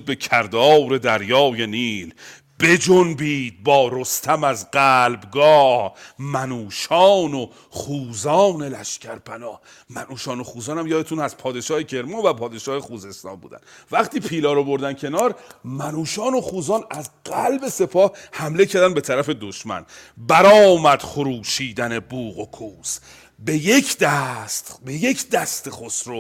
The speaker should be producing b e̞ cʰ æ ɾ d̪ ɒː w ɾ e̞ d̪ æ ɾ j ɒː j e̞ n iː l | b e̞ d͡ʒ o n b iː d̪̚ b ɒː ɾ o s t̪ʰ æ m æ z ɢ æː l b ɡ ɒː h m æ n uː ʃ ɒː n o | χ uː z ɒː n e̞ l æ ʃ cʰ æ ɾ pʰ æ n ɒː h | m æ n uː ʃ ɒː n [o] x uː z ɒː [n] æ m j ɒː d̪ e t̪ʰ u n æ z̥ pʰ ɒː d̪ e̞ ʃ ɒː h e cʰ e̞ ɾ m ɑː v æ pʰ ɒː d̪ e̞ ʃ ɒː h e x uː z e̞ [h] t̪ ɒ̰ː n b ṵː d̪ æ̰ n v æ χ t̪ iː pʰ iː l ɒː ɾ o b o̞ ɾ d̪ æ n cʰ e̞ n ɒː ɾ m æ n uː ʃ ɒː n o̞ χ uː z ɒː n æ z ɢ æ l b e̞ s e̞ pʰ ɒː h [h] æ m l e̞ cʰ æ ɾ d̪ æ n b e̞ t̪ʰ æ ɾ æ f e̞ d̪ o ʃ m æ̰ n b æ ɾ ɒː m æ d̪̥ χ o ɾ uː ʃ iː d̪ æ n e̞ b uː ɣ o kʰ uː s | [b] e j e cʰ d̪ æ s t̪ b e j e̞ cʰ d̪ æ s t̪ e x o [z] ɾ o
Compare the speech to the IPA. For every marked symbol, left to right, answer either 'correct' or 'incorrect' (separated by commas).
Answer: correct, correct, incorrect, correct, correct, incorrect